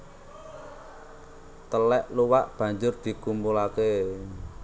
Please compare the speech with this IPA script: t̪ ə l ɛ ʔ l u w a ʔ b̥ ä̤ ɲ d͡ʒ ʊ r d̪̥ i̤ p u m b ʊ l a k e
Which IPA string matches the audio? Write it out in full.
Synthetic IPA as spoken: t̪ ə l ɛ ʔ l u w a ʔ b̥ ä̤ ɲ d͡ʒ ʊ r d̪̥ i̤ k u m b u l a k e